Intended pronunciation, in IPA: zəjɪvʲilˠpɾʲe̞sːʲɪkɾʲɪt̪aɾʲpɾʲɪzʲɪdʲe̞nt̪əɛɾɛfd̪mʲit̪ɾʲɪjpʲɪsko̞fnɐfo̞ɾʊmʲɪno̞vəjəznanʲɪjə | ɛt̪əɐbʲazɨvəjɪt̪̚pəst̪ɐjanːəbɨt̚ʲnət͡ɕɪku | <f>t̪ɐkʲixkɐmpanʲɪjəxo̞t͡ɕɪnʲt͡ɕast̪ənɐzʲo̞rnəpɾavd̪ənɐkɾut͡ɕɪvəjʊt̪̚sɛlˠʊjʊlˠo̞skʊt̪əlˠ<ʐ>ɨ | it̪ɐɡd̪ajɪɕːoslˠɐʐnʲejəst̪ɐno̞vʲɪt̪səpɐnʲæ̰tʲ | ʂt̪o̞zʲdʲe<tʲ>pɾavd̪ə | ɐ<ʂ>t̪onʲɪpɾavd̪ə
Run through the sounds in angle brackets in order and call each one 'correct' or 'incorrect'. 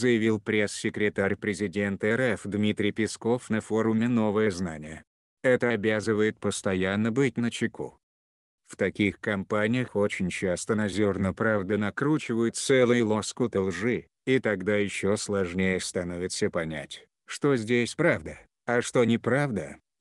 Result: correct, correct, incorrect, correct

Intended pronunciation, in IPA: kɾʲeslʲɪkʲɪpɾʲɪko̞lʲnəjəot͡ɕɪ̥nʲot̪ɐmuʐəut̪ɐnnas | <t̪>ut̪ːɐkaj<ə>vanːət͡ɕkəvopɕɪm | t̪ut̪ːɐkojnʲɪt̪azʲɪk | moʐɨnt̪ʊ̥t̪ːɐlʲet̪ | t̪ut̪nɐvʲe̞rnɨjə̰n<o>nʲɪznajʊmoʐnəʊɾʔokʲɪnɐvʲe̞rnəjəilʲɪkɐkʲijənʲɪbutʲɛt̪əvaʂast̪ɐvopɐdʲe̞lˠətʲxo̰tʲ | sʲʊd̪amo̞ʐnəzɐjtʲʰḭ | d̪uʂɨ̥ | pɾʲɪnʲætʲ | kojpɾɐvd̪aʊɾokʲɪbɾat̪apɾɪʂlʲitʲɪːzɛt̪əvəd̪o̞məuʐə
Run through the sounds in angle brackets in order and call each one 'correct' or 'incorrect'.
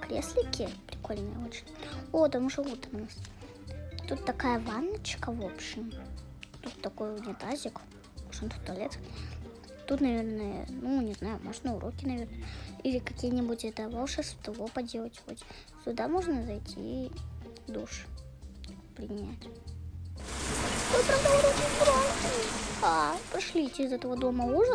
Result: correct, correct, incorrect

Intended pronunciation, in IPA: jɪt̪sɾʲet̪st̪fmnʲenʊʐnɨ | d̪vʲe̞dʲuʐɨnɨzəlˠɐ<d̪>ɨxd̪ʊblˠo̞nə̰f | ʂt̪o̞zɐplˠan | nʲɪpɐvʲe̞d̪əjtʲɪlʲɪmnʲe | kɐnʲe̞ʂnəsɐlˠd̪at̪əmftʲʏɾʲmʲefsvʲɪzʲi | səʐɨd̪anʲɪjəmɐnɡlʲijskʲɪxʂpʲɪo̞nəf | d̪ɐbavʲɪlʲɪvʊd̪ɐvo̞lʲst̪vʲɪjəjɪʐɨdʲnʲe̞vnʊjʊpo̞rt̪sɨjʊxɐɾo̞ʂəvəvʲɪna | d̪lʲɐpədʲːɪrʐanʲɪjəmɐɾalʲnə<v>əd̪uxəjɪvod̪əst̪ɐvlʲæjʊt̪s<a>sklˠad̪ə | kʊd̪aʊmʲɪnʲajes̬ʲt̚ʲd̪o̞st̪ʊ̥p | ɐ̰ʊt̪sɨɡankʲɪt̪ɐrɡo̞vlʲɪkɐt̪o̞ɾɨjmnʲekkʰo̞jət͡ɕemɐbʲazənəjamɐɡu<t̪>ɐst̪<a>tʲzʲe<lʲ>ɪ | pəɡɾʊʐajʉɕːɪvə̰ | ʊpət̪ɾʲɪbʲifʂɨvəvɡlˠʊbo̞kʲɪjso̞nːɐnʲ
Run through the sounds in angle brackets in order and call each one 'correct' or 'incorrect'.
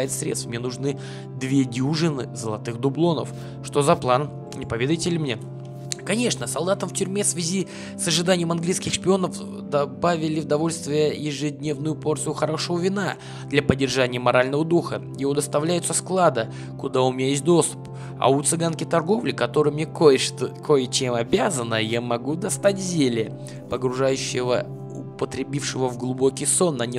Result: incorrect, correct, incorrect, incorrect, correct, correct

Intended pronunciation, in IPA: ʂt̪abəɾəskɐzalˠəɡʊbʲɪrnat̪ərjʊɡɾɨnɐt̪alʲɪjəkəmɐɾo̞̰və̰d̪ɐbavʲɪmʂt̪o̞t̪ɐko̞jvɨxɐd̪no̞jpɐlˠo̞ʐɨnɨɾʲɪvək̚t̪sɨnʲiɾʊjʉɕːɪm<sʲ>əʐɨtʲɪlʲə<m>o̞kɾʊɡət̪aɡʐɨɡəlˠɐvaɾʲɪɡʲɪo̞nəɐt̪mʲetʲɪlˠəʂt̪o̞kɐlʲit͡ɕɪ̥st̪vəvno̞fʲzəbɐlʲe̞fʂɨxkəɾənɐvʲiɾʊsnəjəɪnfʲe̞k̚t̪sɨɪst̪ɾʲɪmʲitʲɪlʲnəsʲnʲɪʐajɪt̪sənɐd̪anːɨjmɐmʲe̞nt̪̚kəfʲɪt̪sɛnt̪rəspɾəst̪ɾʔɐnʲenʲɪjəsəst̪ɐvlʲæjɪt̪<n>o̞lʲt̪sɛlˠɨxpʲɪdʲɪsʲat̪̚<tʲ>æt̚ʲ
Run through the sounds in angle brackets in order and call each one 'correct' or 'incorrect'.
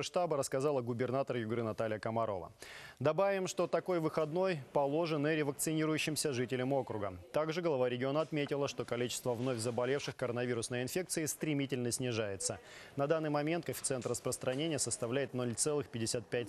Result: correct, correct, correct, incorrect

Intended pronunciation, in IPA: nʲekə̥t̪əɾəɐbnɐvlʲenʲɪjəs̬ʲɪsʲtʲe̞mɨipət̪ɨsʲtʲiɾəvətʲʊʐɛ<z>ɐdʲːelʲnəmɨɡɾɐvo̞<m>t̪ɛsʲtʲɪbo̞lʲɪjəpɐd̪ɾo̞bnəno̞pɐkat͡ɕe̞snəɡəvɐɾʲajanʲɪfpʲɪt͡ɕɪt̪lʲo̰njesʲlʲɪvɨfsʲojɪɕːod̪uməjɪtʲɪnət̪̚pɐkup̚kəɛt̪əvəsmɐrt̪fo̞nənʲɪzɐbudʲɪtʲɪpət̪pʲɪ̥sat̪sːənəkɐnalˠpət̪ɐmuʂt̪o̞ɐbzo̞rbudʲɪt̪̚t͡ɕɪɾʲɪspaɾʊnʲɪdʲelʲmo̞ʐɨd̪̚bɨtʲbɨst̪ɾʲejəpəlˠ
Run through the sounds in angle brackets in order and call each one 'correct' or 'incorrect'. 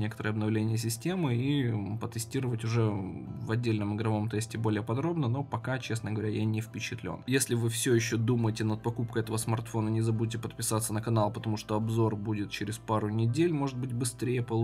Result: incorrect, correct

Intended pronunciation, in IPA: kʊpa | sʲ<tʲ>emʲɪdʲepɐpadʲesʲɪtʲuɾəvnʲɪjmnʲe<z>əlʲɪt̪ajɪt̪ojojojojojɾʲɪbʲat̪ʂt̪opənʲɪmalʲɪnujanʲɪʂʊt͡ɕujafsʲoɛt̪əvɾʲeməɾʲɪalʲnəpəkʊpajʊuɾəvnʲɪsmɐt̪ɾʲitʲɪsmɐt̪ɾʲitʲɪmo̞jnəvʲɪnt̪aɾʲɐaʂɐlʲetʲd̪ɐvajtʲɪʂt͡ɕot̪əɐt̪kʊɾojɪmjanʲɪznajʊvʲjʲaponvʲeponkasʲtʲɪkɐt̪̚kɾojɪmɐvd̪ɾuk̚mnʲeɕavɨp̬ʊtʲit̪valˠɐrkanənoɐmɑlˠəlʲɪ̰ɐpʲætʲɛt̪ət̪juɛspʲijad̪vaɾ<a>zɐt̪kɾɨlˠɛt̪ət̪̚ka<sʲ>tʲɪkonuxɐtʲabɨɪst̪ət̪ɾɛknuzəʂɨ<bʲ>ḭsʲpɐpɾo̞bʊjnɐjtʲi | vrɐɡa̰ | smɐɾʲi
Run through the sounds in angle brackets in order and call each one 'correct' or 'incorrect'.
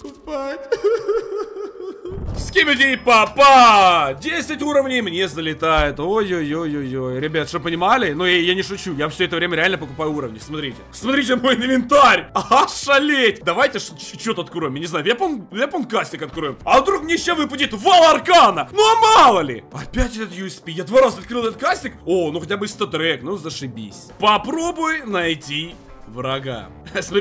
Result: incorrect, correct, correct, correct, correct

